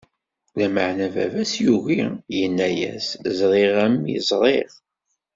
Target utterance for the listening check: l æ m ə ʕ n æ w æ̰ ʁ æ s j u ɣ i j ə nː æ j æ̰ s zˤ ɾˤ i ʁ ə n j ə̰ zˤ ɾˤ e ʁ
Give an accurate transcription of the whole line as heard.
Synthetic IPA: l æ m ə ʕ n æ v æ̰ v æ s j u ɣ i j ə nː æ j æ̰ s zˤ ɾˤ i ʁ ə m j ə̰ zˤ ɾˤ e ʁ